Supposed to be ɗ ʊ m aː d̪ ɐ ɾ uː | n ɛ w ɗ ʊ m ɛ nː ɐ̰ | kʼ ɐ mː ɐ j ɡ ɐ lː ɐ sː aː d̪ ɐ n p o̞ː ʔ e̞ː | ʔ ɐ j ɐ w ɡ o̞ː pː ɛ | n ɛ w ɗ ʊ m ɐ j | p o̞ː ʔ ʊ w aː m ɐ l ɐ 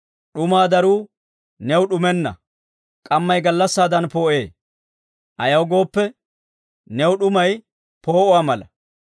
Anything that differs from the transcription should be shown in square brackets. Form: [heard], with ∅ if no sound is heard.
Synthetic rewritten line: ɗ ʊ m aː d̪ ɐ ɾ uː | n ɛ w ɗ ʊ m ɛ nː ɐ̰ | kʼ ɐ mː ɐ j ɡ ɐ lː ɐ sː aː d̪ ɐ n p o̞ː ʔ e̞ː | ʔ ɐ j ɐ w ɡ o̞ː pː ɛ | n ɛ w ɗ ʊ m ɐ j | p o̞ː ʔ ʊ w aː m ɐ l ɐ

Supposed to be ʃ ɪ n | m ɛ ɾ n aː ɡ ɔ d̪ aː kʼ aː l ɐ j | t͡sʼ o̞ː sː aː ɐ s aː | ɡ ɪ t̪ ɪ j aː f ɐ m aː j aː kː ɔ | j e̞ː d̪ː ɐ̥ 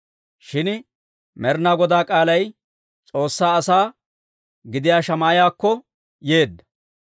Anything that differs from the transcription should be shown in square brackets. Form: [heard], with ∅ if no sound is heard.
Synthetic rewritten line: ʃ ɪ n | m ɛ ɾ n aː ɡ ɔ d̪ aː kʼ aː l ɐ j | t͡sʼ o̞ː sː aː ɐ s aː | ɡ ɪ [d̪] ɪ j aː [ʃ] ɐ m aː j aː kː ɔ | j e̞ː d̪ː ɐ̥

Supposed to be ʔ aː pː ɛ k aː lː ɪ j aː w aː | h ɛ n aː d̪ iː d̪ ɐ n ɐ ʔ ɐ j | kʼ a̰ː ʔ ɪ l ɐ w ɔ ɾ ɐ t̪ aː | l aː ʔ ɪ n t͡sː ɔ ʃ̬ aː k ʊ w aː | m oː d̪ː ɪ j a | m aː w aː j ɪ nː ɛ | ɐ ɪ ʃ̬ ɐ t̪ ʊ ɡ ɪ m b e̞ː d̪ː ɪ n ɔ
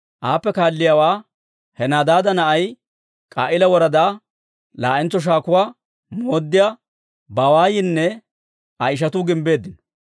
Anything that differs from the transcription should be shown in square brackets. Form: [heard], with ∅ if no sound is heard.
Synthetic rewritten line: ʔ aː pː ɛ k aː lː ɪ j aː w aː | h ɛ n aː d̪ [aː] d̪ ɐ n ɐ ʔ ɐ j | kʼ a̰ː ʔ ɪ l ɐ w ɔ ɾ ɐ [d̪] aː | l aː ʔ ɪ n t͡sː ɔ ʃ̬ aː k ʊ w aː | m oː d̪ː ɪ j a | [b] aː w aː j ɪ nː ɛ | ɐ ɪ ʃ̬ ɐ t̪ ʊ ɡ ɪ m b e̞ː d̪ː ɪ n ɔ

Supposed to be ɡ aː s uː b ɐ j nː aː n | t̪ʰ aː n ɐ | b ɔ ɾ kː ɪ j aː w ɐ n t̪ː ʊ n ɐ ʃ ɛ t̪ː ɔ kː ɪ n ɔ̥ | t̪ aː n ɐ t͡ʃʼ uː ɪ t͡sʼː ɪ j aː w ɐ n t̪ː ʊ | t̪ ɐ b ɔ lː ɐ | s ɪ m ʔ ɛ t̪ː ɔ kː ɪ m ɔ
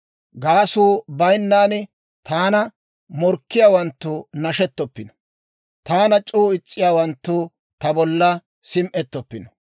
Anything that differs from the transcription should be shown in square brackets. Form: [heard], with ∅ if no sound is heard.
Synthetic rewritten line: ɡ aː s uː b ɐ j nː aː n | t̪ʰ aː n ɐ | [m] ɔ ɾ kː ɪ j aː w ɐ n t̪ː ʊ n ɐ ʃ ɛ t̪ː ɔ [pː] ɪ n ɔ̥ | t̪ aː n ɐ t͡ʃʼ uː ɪ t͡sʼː ɪ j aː w ɐ n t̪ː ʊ | t̪ ɐ b ɔ lː ɐ | s ɪ m ʔ ɛ t̪ː ɔ [pː] ɪ [n] ɔ

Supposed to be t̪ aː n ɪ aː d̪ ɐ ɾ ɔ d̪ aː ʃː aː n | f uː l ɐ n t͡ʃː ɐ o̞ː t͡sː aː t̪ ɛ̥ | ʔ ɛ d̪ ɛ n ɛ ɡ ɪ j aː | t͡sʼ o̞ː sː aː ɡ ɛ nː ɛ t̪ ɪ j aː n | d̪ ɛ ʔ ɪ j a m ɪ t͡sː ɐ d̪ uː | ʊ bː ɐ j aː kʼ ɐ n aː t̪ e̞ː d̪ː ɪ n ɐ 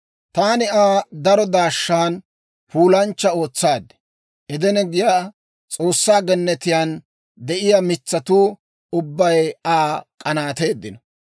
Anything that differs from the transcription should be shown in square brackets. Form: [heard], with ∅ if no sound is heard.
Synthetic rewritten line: t̪ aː n ɪ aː d̪ ɐ ɾ ɔ d̪ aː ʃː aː n | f uː l ɐ n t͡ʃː ɐ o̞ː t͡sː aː [d̪] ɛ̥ | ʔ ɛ d̪ ɛ n ɛ ɡ ɪ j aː | t͡sʼ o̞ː sː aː ɡ ɛ nː ɛ t̪ ɪ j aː n | d̪ ɛ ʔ ɪ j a m ɪ t͡sː ɐ [t̪] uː | ʊ bː ɐ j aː kʼ ɐ n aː t̪ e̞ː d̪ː ɪ n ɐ

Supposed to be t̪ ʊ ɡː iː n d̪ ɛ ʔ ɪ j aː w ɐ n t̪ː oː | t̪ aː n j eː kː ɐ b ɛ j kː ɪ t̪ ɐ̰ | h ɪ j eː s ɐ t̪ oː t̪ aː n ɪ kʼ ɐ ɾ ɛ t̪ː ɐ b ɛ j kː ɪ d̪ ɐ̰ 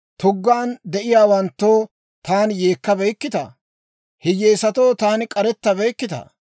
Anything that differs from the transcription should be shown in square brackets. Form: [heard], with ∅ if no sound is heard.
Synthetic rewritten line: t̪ ʊ ɡː [aː] n d̪ ɛ ʔ ɪ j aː w ɐ n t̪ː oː | t̪ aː n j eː kː ɐ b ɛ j kː ɪ t̪ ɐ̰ | h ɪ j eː s ɐ t̪ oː t̪ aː n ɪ kʼ ɐ ɾ ɛ t̪ː ɐ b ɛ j kː ɪ [t̪] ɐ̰

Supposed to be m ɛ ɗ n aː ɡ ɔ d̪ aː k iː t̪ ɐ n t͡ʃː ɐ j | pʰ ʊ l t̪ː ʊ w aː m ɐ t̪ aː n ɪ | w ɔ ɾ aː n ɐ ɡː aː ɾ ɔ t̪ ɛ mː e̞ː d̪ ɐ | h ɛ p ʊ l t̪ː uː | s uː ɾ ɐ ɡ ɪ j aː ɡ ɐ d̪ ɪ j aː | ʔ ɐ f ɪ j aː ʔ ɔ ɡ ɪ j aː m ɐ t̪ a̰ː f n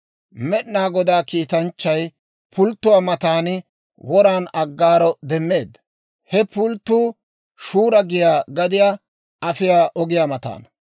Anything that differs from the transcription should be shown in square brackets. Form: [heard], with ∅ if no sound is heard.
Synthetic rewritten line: m ɛ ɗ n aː ɡ ɔ d̪ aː k iː t̪ ɐ n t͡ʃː ɐ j | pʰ ʊ l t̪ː ʊ w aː m ɐ t̪ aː n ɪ | w ɔ ɾ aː n ɐ ɡː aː ɾ ɔ [d̪] ɛ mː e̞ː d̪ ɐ | h ɛ p ʊ l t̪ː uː | [ʃ] uː ɾ ɐ ɡ ɪ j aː ɡ ɐ d̪ ɪ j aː | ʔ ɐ f ɪ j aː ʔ ɔ ɡ ɪ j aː m ɐ t̪ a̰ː [∅] n

